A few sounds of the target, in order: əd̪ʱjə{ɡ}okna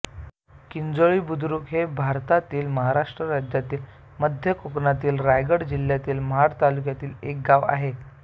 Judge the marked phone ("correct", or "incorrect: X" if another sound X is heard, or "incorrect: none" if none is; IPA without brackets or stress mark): incorrect: k